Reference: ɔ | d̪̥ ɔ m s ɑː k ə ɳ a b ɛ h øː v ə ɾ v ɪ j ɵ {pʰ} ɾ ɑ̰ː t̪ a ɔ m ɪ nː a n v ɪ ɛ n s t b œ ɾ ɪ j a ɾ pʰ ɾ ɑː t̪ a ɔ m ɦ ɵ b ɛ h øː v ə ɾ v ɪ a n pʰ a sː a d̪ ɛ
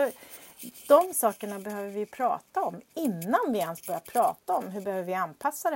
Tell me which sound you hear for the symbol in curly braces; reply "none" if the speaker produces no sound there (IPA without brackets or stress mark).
pʰ